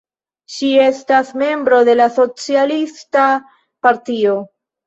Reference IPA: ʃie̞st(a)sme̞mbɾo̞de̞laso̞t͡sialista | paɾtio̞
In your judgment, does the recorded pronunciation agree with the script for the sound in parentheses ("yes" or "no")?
yes